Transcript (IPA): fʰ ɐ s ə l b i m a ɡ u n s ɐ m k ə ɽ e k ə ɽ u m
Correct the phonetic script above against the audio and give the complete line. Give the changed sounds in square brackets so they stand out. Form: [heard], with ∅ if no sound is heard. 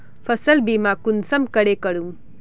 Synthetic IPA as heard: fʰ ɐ s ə l b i m a [k] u n s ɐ m k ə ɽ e k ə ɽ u m